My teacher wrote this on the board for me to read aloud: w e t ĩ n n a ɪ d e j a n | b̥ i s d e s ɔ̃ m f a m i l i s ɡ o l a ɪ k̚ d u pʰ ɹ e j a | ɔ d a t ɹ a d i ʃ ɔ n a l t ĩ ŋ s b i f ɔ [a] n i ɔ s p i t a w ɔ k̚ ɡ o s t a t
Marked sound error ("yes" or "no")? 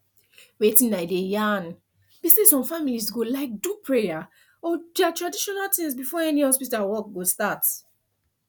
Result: yes